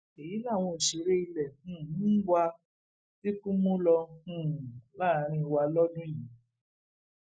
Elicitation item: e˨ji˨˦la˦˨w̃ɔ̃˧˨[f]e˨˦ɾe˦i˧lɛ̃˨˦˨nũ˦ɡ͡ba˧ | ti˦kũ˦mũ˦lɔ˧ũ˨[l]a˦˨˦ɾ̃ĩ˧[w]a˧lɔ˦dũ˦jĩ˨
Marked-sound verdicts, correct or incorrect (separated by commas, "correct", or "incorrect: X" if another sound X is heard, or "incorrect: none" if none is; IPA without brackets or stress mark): incorrect: ʃ, correct, correct